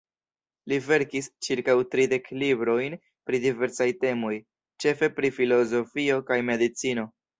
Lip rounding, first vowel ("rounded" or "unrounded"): unrounded